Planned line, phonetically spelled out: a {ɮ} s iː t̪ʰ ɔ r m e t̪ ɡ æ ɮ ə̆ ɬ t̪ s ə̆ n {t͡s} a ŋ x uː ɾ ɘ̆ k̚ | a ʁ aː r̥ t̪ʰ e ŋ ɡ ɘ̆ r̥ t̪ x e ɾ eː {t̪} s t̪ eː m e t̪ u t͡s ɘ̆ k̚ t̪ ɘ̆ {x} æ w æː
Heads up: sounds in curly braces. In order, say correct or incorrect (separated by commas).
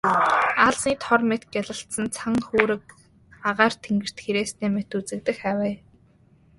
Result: correct, incorrect, incorrect, correct